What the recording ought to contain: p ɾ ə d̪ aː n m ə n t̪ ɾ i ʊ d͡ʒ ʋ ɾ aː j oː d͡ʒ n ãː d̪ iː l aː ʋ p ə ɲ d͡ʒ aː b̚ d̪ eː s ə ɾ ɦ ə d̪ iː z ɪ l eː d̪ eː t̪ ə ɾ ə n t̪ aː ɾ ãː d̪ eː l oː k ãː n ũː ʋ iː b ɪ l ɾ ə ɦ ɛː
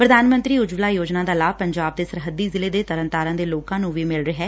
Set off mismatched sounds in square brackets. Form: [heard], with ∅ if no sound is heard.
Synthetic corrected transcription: p ɾ ə d̪ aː n m ə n t̪ ɾ [iː] ʊ d͡ʒ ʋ [l] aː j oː d͡ʒ n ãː d̪ [aː] l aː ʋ p ə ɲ d͡ʒ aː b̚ d̪ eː s ə ɾ ɦ ə d̪ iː z ɪ l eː d̪ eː t̪ ə ɾ ə n t̪ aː ɾ ãː d̪ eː l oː k ãː n ũː ʋ iː [m] ɪ l ɾ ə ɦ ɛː